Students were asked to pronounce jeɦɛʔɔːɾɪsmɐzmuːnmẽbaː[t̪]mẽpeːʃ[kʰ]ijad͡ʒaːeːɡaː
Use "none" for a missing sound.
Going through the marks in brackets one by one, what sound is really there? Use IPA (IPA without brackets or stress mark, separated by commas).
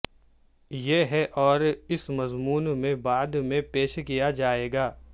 d̪, k